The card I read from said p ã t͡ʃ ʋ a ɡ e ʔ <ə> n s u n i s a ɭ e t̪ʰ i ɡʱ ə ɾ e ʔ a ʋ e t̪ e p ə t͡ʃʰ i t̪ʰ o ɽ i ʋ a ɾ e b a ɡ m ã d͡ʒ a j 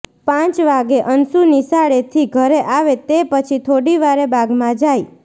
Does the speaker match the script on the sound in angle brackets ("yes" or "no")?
yes